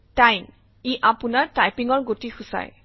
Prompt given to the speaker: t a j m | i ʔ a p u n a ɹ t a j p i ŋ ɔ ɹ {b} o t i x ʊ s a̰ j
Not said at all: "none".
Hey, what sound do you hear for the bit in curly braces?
ɡ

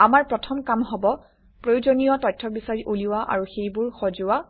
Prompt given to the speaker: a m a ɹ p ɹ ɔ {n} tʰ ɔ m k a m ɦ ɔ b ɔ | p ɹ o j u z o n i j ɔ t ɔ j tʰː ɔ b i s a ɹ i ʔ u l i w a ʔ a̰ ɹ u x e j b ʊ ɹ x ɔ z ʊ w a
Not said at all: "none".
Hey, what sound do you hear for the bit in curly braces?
none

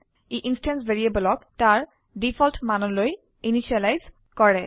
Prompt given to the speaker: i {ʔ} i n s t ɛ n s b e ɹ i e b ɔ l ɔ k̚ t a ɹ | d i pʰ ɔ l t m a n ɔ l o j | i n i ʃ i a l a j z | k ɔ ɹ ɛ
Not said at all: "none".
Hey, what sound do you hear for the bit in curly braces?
ʔ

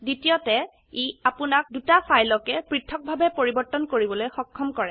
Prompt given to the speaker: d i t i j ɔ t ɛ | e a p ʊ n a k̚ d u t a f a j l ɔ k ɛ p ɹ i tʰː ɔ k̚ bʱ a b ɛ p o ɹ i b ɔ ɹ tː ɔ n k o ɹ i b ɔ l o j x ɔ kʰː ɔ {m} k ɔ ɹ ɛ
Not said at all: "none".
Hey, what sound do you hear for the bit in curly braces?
m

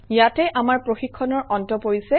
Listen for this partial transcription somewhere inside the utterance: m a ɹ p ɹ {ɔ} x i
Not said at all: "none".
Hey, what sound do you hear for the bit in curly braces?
o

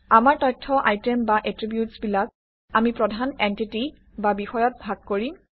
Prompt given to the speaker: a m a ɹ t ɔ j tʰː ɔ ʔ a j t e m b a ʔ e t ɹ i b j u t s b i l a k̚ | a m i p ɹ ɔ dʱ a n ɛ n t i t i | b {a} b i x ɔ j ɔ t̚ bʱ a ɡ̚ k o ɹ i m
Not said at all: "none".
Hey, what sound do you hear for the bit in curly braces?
a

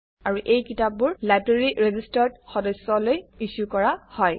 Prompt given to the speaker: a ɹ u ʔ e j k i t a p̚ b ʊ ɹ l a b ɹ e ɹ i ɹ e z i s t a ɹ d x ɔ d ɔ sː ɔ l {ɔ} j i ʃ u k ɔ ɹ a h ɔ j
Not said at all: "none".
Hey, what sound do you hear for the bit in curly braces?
o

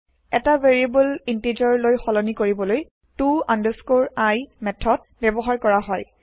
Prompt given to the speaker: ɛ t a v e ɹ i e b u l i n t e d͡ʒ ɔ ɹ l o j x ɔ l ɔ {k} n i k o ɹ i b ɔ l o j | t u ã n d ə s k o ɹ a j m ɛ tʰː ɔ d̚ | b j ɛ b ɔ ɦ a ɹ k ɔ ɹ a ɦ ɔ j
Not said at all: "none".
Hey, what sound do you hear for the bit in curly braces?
none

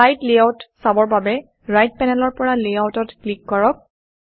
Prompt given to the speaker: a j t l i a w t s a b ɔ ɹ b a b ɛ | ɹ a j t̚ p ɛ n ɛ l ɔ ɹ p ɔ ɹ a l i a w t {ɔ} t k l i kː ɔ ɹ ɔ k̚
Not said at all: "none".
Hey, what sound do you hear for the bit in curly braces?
ɔ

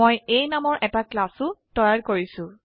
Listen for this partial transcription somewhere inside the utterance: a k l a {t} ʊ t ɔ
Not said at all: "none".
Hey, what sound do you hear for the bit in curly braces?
s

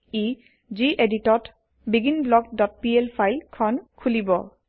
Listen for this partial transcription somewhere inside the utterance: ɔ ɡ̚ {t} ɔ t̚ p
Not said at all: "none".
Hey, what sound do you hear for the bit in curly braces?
d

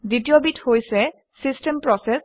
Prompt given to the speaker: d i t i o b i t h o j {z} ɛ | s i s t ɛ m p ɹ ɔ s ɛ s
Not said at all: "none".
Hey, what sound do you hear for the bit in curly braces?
s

